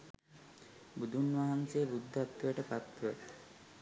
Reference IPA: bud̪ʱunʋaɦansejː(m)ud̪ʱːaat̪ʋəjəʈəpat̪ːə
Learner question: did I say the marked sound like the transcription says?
no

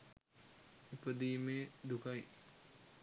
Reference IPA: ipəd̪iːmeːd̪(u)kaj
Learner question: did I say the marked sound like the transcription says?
yes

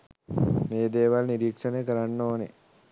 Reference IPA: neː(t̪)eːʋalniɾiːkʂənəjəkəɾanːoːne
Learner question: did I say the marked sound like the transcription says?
no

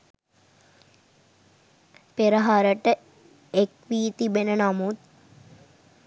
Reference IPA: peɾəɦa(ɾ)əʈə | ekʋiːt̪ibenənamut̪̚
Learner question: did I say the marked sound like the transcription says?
yes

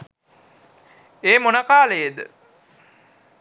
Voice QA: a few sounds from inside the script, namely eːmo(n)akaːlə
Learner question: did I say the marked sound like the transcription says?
yes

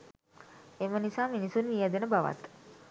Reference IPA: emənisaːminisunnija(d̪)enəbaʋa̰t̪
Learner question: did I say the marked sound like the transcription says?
yes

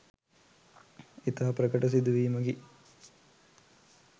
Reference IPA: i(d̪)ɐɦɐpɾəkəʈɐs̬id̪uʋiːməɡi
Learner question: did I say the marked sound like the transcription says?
no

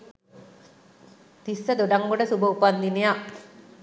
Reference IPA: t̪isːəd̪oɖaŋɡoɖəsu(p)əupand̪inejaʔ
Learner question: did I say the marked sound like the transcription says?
no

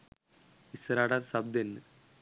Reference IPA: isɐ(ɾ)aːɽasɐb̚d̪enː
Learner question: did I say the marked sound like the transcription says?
yes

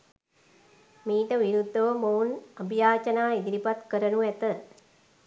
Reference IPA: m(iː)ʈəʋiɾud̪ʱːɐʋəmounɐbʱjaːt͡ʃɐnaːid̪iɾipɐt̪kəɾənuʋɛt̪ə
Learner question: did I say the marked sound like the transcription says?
yes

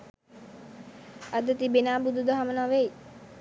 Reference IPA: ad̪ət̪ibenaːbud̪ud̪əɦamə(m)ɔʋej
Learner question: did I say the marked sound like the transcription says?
no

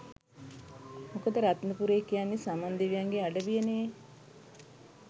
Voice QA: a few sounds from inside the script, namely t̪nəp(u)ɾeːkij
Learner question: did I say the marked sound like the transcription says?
yes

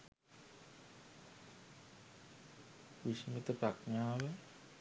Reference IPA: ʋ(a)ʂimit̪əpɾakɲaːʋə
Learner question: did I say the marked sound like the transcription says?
no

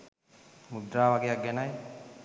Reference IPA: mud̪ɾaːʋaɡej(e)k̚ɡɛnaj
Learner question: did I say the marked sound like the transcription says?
no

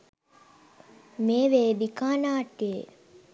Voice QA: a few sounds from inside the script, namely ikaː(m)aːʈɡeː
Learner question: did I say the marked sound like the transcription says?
no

